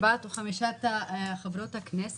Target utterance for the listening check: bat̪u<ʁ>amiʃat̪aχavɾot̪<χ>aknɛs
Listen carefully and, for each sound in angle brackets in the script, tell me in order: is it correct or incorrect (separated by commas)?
incorrect, incorrect